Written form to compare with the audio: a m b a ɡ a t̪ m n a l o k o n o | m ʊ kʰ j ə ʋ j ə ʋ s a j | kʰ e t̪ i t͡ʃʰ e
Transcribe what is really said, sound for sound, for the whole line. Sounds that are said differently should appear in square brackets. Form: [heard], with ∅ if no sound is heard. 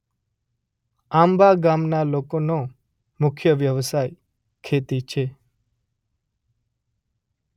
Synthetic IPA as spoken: a m b a ɡ a [∅] m n a l o k o n o | m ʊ kʰ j ə ʋ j ə ʋ s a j | kʰ e t̪ i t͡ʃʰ e